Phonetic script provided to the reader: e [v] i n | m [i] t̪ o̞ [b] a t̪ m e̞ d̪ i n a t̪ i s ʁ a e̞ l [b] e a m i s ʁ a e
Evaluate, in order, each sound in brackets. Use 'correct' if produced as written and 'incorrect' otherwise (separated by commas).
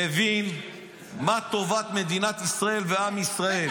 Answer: correct, incorrect, incorrect, incorrect